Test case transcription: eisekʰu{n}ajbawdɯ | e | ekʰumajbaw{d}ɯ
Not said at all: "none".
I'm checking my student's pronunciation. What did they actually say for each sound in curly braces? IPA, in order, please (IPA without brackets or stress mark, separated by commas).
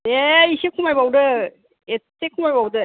m, d